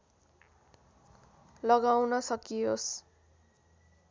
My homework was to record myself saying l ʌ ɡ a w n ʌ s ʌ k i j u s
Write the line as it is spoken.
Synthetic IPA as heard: l ʌ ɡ a w n ʌ s ʌ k i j o s